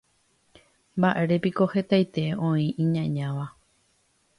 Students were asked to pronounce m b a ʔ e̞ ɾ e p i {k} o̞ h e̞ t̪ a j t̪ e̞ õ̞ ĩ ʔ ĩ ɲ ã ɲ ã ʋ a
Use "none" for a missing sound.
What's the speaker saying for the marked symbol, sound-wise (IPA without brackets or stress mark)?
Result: k